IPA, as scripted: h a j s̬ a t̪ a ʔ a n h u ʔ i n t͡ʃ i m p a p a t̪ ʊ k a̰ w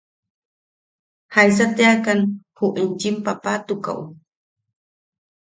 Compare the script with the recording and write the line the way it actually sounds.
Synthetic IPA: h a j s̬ a t̪ a k a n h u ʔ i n t͡ʃ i m p a p a t̪ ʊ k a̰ w